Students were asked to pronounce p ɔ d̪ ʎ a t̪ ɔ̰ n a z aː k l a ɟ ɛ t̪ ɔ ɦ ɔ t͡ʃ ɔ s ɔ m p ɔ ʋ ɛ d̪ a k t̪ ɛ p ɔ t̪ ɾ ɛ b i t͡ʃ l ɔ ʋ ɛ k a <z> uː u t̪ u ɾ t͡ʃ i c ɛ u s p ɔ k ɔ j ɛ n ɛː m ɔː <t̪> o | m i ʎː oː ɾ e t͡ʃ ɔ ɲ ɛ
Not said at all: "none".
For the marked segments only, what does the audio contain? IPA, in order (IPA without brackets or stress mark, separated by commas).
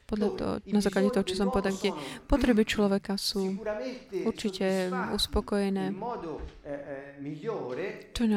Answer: s, d̪